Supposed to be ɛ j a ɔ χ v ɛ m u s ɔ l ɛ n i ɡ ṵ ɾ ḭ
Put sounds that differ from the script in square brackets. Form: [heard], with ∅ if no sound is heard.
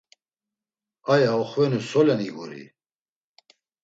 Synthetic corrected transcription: [a] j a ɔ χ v ɛ [n] u s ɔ l ɛ n i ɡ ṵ ɾ ḭ